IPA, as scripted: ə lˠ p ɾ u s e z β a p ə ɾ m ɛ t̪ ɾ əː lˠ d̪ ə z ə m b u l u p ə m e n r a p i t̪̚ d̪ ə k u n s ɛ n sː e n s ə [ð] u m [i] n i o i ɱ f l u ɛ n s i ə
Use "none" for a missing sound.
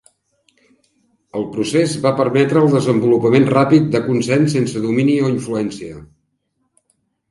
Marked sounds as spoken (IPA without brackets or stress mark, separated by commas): ð, i